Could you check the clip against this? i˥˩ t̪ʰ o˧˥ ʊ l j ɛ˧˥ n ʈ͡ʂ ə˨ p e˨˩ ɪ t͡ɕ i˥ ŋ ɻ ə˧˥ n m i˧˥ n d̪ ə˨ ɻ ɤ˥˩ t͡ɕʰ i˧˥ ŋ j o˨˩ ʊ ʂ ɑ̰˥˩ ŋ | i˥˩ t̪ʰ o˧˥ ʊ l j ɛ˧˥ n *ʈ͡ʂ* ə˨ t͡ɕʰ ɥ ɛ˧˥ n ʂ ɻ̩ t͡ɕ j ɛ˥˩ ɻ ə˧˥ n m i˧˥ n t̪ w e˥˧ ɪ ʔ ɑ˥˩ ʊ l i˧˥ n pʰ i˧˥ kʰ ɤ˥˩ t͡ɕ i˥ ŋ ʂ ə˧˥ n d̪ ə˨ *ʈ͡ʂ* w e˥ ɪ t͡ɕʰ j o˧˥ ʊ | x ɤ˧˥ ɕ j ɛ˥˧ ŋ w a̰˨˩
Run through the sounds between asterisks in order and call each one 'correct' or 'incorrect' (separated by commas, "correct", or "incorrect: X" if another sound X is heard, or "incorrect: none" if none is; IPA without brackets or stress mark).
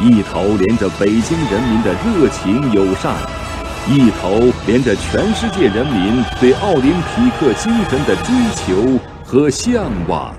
correct, correct